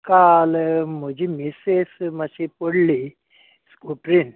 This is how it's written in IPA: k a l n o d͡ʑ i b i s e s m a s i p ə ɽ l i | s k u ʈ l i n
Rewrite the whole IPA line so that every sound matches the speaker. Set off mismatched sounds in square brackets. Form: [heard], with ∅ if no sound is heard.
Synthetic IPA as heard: k a l [m] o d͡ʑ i [m] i s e s m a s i p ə ɽ l i | s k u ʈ [ɾ] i n